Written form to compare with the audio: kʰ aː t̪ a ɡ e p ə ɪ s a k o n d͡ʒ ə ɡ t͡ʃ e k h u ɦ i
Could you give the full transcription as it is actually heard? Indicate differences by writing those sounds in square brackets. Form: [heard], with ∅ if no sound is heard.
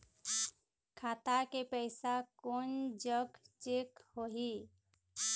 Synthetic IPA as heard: kʰ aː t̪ a [k] e p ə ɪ s a k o n d͡ʒ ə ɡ t͡ʃ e k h [o] ɦ i